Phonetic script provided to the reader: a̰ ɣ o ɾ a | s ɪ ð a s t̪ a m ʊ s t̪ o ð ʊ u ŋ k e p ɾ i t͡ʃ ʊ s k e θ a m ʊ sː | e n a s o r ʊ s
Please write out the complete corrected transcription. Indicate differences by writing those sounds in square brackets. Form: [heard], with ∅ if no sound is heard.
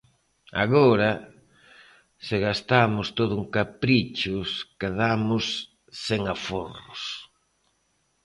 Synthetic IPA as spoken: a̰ ɣ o ɾ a | s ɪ [ɣ] a s t̪ a m ʊ s t̪ o ð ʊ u ŋ k [a] p ɾ i t͡ʃ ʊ s k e [ð] a m ʊ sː | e [ŋ] a [f] o r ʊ s